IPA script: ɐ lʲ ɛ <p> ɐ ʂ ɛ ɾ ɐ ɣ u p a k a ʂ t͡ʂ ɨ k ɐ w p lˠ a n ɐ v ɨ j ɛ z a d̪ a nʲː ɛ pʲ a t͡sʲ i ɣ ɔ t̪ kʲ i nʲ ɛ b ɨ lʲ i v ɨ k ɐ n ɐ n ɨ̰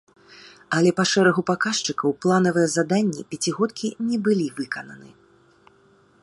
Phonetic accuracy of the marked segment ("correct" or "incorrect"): correct